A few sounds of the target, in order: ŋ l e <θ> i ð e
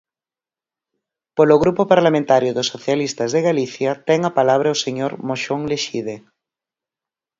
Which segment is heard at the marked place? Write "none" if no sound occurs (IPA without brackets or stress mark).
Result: ʃ